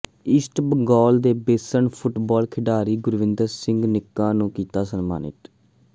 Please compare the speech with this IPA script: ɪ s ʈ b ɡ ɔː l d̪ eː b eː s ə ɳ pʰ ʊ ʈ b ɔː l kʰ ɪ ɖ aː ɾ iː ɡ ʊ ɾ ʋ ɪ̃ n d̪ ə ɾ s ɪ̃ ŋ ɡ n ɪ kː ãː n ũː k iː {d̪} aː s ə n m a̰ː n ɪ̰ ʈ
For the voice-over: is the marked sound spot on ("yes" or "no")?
no